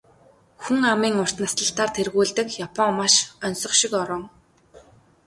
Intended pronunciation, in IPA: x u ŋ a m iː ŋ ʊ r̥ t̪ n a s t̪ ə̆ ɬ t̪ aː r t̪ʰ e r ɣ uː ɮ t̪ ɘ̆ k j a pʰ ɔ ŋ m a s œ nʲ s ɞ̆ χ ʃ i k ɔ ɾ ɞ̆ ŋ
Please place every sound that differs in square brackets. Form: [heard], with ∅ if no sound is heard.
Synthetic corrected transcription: x u ŋ a m iː ŋ ʊ r̥ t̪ n a s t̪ ə̆ ɬ t̪ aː r t̪ʰ e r ɣ uː ɮ t̪ ɘ̆ k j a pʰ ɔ ŋ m a [ʃ] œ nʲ s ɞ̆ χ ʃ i k ɔ ɾ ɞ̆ ŋ